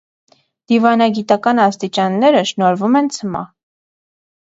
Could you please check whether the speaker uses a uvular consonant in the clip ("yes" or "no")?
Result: no